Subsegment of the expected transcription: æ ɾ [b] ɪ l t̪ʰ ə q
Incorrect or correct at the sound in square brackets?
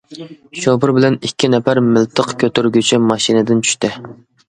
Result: incorrect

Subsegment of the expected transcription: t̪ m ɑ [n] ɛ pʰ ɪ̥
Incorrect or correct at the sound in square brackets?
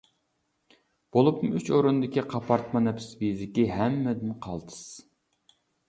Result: correct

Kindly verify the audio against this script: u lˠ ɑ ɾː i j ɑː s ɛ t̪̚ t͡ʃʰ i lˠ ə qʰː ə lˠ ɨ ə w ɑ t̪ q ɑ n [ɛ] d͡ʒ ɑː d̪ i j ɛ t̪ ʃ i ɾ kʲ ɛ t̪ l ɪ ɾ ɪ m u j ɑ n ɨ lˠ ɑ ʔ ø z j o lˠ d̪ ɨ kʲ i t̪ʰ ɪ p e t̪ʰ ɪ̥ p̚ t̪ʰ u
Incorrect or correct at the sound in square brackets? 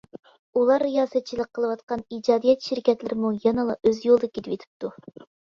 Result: incorrect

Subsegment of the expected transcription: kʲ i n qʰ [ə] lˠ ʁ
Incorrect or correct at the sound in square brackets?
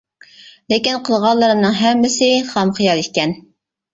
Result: correct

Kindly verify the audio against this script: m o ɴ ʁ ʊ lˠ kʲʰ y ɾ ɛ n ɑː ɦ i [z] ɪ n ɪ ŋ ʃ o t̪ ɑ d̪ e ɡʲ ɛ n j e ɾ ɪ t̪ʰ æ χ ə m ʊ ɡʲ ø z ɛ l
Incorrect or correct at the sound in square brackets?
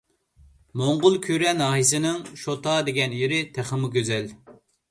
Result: incorrect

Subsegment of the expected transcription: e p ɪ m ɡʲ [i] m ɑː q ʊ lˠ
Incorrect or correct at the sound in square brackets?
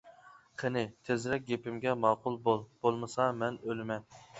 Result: incorrect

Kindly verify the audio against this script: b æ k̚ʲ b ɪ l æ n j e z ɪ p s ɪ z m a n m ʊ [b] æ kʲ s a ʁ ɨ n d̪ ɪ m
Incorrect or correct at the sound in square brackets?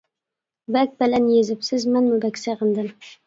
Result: correct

